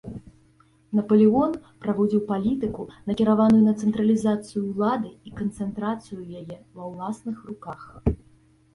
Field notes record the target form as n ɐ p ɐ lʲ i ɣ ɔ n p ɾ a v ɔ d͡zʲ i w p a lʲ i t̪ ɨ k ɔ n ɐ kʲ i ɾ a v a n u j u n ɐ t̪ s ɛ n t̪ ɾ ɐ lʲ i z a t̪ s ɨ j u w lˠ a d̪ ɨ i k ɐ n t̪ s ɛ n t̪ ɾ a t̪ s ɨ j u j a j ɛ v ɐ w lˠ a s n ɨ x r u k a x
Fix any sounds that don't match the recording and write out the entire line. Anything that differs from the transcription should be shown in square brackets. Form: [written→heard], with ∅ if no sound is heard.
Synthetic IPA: n ɐ p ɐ lʲ i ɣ ɔ n p ɾ a v ɔ d͡zʲ i w p a lʲ i t̪ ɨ k [ɔ→u] n ɐ kʲ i ɾ a v a n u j u n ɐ t̪ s ɛ n t̪ ɾ ɐ lʲ i z a t̪ s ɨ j u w lˠ a d̪ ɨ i k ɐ n t̪ s ɛ n t̪ ɾ a t̪ s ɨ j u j a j ɛ v ɐ w lˠ a s n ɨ x r u k a x